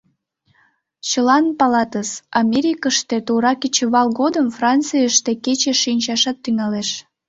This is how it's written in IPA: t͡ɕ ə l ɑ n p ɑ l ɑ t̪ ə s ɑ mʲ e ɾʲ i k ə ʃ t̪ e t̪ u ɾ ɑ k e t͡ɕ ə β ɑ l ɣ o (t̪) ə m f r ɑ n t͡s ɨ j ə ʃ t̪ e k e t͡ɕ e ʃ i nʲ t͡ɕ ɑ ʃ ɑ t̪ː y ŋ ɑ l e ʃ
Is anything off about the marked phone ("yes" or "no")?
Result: yes